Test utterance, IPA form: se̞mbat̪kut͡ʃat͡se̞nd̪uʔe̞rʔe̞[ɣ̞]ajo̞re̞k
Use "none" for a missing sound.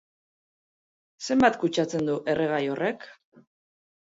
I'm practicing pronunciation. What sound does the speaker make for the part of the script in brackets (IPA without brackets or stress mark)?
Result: ɣ̞